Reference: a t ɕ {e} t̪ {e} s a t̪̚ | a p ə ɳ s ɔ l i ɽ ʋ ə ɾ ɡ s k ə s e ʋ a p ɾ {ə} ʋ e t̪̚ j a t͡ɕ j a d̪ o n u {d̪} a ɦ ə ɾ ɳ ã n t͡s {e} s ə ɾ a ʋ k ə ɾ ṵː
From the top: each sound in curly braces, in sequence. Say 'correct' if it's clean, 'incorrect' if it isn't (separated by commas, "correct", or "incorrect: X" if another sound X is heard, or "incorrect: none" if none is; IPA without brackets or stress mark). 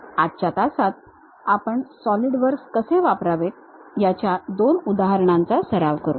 incorrect: a, incorrect: a, incorrect: a, correct, incorrect: a